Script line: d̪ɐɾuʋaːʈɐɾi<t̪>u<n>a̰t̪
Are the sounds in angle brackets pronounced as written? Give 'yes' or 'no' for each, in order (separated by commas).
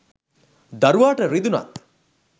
no, yes